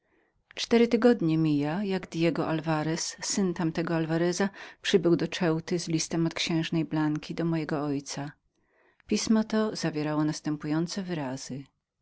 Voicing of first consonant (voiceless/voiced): voiceless